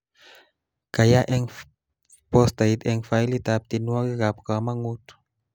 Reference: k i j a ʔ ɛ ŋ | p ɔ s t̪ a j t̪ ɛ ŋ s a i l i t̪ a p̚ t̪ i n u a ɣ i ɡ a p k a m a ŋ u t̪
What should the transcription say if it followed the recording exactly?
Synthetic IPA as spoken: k a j a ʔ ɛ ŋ | p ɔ s t̪ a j t̪ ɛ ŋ f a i l i t̪ a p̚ t̪ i n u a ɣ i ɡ a p k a m a ŋ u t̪